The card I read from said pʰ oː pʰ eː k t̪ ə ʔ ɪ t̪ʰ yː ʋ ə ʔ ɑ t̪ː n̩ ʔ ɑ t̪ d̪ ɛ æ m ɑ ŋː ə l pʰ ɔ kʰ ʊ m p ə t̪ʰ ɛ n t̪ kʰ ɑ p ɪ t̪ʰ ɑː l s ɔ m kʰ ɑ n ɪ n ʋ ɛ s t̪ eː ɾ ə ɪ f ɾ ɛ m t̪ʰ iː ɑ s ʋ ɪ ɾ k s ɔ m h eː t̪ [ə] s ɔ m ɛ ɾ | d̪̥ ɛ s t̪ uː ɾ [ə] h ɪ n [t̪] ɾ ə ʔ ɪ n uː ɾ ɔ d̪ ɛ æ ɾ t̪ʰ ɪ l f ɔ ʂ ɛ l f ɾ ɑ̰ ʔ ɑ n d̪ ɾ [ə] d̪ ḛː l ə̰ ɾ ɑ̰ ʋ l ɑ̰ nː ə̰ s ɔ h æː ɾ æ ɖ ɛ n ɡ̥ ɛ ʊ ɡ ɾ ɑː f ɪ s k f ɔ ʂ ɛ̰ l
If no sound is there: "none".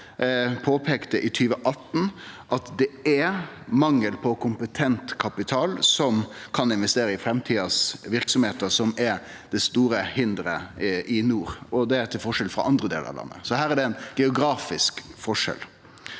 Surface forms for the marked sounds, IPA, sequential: ə, ə, d̪, ə

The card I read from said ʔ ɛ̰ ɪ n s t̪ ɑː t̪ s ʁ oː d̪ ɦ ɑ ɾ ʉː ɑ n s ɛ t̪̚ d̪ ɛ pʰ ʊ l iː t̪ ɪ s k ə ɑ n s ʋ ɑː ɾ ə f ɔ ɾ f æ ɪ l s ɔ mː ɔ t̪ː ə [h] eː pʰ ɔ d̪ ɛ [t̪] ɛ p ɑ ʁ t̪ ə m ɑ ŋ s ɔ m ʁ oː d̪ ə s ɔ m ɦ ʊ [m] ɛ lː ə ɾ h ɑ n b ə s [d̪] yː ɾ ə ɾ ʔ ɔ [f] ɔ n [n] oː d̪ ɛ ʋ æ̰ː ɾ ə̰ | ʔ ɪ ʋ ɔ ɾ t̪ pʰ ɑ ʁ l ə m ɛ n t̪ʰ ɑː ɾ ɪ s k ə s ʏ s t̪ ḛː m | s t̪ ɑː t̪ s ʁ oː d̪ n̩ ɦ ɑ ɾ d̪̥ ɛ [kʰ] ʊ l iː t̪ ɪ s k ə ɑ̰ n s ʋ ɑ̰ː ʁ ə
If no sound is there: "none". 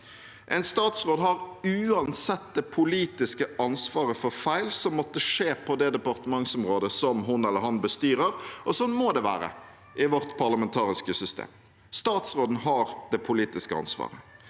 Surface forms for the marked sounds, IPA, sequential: ʂ, d̪, n, t̪, s, m, pʰ

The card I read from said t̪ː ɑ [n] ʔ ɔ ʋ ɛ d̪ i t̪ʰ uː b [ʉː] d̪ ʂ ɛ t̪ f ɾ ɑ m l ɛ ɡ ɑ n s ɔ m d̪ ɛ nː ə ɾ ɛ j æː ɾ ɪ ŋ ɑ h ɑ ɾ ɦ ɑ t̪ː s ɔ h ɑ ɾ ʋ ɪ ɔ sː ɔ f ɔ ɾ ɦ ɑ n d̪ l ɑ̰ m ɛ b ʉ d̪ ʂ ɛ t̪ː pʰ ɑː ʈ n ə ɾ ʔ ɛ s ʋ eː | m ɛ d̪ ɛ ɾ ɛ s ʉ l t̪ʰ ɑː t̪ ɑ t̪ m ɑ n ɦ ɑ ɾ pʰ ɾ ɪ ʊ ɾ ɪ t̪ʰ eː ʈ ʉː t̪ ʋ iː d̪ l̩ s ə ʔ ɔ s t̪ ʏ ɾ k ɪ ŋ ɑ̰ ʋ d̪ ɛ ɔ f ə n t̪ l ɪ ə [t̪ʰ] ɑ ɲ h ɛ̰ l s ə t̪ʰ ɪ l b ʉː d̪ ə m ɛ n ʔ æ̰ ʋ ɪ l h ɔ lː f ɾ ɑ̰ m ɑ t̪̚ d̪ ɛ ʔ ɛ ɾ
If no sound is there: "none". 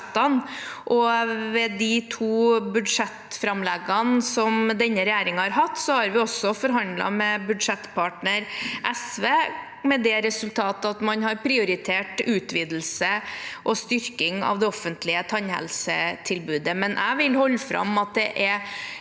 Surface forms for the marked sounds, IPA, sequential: n, ʉ, t̪ʰ

